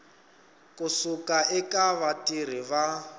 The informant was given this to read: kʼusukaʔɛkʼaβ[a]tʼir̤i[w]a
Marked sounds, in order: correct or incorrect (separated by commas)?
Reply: correct, incorrect